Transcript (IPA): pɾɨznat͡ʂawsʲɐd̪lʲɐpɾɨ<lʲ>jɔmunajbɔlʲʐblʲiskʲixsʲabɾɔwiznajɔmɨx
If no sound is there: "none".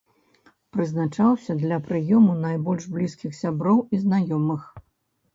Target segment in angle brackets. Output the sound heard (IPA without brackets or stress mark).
none